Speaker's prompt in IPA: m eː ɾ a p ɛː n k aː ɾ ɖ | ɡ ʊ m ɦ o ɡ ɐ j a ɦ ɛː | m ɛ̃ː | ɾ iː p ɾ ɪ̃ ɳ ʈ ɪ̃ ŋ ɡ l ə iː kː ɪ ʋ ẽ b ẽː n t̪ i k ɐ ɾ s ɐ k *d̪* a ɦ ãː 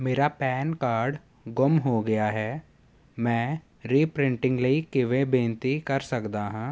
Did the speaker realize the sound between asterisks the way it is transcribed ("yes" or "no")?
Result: yes